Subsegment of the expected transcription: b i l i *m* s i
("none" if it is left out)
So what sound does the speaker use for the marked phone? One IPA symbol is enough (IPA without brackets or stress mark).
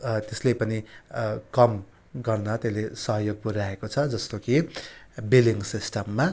ŋ